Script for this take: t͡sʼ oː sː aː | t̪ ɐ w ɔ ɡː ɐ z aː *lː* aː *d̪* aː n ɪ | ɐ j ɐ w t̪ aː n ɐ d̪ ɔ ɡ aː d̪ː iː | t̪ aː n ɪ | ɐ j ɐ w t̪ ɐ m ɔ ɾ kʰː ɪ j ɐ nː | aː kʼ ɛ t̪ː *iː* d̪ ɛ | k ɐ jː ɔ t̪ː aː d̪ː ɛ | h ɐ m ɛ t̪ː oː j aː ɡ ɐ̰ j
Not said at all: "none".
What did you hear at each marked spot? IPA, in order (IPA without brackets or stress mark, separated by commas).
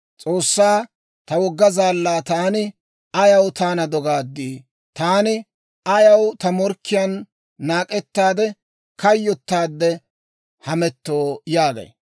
lː, t̪, aː